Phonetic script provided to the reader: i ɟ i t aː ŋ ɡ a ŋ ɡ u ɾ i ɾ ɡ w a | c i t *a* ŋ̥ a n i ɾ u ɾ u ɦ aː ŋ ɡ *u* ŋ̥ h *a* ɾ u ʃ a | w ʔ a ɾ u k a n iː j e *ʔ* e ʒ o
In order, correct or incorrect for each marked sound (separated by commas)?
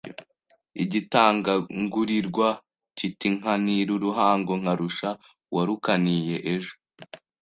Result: incorrect, incorrect, correct, correct